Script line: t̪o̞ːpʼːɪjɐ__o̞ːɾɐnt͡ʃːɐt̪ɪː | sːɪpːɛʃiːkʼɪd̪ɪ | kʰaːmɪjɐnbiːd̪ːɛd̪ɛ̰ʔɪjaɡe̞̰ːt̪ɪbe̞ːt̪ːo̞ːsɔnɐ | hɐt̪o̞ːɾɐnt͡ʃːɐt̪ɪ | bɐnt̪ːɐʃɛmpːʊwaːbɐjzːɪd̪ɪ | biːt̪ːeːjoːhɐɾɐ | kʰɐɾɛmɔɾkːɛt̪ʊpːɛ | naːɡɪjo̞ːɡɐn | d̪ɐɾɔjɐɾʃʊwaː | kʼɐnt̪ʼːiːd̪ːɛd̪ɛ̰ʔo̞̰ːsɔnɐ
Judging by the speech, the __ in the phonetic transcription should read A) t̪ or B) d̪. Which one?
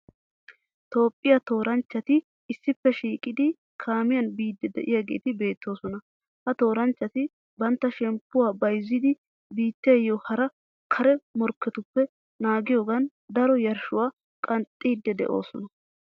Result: A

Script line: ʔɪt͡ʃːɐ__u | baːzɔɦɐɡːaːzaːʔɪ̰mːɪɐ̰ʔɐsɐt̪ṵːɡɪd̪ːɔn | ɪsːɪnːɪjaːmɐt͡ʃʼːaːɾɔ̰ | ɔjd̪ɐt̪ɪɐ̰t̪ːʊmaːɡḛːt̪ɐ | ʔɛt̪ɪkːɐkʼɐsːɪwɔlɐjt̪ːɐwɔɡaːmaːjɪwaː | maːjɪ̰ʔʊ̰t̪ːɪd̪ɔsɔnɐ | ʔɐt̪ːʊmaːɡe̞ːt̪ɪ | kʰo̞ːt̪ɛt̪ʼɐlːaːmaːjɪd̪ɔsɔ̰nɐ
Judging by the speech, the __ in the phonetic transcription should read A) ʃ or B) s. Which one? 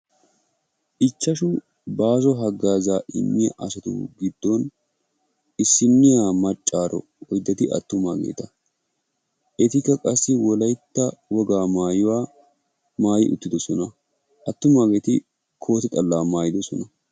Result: A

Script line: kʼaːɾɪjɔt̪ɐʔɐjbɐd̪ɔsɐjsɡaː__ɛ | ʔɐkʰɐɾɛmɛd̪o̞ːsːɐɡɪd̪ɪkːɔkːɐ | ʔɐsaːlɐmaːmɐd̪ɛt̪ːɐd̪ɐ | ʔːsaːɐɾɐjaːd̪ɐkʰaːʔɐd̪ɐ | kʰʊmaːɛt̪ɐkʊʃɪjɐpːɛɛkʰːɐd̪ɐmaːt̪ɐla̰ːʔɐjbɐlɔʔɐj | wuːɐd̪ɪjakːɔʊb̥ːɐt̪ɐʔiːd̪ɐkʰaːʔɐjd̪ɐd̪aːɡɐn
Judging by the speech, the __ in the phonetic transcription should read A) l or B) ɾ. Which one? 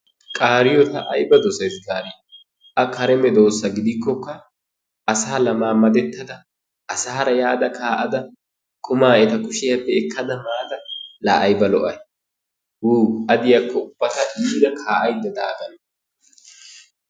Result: B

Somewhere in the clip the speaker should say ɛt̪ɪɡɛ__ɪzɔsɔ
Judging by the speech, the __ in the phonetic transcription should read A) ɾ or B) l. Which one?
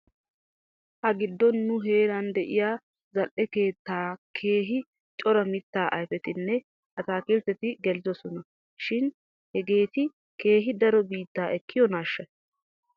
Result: B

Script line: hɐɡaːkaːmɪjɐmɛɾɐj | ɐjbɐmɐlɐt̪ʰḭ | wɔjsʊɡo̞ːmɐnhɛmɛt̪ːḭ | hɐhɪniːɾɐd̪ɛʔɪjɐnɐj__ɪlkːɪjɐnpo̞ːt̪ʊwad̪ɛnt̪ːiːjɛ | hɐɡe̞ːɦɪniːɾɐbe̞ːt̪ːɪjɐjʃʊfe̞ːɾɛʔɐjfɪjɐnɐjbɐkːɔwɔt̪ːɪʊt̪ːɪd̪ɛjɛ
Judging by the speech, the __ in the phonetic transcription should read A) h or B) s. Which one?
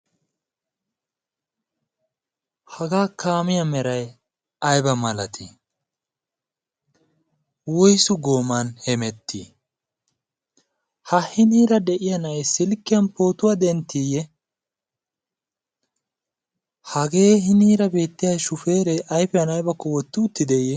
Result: B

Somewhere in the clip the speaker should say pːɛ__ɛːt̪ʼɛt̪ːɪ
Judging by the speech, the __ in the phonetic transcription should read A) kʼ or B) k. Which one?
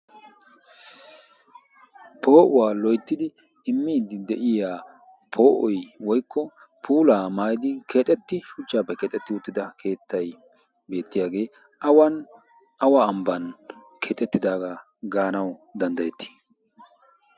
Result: B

